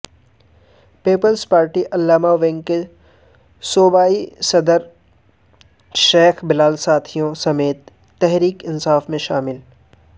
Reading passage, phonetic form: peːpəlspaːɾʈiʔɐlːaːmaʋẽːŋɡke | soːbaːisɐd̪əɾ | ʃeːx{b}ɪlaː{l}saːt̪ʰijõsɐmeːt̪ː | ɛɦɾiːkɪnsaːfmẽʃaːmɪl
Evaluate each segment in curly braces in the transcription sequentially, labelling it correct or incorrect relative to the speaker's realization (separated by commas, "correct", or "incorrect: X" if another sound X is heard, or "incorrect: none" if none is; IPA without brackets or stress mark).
correct, correct